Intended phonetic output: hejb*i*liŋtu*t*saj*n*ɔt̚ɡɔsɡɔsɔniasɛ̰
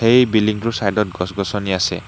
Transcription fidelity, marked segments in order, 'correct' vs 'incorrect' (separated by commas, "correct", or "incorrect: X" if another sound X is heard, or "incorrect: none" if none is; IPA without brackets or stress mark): correct, incorrect: none, incorrect: d